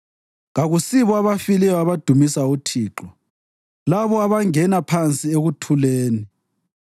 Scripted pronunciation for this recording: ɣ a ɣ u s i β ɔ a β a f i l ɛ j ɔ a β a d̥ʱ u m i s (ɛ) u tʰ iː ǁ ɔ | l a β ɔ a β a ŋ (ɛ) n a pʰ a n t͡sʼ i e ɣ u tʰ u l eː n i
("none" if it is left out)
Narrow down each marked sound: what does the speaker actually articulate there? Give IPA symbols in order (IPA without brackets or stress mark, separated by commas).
a, ɛ